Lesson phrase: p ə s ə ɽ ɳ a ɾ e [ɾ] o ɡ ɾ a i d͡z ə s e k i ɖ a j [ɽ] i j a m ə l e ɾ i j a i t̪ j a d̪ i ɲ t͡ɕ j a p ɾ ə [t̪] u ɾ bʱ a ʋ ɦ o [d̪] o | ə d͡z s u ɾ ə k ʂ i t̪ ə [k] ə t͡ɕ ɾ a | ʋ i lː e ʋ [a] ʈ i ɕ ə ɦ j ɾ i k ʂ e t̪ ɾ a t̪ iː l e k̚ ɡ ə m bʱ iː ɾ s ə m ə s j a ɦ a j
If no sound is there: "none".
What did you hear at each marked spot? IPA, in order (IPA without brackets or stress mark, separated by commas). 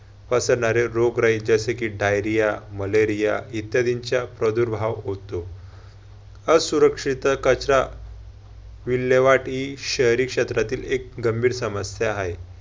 ɾ, ɾ, d̪, t̪, k, a